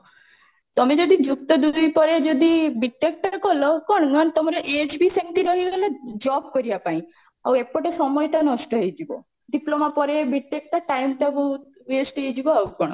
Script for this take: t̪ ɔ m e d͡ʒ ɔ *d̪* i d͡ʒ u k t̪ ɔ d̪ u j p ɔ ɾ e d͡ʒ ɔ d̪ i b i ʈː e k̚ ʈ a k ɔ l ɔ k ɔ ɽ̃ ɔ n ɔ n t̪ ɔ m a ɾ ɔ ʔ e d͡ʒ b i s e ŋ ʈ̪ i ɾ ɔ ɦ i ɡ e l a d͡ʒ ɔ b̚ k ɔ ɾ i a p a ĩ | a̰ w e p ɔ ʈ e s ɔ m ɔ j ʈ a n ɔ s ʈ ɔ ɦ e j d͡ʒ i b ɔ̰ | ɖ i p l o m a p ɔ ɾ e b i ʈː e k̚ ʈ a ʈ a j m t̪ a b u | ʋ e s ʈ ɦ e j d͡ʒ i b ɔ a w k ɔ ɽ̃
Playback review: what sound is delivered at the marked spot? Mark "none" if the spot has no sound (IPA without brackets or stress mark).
d̪